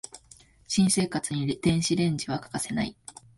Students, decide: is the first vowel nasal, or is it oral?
nasal